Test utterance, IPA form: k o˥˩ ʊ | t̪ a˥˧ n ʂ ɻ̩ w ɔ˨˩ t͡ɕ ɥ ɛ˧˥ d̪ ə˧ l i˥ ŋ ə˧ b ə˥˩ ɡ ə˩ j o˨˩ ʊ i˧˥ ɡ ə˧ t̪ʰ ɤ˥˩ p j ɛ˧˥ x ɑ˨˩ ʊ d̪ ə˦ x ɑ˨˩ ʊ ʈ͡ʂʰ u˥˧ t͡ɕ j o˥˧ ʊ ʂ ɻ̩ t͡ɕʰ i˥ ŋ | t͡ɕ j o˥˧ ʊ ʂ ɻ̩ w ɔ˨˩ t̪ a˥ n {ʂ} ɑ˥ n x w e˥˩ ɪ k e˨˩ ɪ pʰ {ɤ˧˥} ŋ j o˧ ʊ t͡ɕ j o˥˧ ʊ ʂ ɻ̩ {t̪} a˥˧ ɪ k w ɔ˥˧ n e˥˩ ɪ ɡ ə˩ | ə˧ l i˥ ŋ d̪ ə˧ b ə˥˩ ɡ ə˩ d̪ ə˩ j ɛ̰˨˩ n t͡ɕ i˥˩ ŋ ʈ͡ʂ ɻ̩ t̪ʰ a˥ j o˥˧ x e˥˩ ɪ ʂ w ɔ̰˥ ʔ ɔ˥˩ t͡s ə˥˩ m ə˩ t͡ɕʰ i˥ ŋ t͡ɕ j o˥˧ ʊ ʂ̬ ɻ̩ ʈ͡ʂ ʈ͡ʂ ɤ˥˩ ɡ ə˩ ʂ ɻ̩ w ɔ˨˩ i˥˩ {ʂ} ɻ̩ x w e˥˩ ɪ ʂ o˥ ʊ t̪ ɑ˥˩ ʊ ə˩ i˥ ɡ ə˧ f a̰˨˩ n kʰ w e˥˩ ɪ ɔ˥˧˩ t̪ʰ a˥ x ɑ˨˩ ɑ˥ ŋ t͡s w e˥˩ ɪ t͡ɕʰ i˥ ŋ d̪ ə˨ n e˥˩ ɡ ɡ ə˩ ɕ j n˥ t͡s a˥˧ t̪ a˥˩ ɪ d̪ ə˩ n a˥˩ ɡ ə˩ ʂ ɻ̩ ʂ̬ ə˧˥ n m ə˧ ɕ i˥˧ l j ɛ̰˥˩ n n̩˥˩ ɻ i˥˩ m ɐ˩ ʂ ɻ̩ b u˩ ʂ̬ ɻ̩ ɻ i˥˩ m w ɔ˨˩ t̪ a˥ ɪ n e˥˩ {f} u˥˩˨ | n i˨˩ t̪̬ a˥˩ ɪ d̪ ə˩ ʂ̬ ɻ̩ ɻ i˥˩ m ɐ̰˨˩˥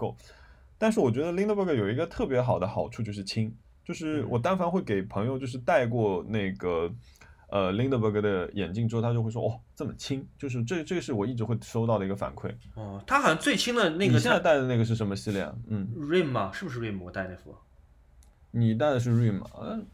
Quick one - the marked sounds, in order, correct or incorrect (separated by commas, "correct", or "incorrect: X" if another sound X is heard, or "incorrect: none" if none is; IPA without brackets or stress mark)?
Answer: incorrect: f, correct, correct, incorrect: ʈ͡ʂ, correct